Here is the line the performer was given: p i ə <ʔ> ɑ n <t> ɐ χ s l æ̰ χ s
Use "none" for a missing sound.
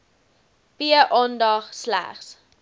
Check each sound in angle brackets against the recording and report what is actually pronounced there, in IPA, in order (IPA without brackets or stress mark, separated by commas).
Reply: ʔ, d